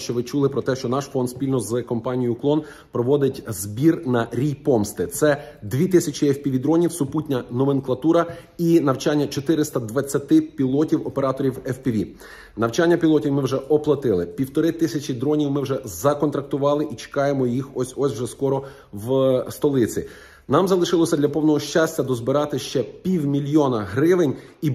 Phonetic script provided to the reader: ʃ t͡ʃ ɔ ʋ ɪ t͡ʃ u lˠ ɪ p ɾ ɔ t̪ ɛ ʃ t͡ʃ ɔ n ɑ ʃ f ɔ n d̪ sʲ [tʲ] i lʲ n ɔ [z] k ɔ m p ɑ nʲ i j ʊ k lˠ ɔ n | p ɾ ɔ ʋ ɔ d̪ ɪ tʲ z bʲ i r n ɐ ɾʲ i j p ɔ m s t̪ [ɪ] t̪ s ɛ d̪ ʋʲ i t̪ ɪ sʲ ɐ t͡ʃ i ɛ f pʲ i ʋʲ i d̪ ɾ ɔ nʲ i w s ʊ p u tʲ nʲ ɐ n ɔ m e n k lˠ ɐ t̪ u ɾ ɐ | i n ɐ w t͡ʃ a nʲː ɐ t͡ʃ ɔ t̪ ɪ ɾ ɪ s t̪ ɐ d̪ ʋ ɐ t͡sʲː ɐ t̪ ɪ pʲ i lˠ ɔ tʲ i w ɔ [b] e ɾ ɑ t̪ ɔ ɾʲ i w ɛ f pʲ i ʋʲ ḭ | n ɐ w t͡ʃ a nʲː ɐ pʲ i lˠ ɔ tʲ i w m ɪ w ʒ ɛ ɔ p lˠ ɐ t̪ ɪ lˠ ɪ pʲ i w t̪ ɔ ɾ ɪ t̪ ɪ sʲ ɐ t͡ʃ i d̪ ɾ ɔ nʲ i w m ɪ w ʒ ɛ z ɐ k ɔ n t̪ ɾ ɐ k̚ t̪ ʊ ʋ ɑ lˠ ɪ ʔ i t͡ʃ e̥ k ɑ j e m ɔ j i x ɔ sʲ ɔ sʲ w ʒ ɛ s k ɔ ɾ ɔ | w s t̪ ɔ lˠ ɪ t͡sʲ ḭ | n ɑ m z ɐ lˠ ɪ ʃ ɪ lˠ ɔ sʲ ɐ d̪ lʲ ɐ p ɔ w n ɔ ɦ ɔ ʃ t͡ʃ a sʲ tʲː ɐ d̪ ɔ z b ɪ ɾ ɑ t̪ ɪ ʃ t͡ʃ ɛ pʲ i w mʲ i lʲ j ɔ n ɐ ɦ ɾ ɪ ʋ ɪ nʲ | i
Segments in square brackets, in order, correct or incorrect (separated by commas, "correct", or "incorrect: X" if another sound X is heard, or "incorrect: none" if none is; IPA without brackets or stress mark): incorrect: pʲ, correct, correct, incorrect: p